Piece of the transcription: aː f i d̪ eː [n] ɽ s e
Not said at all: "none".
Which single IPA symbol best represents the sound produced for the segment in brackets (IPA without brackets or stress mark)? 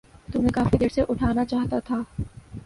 none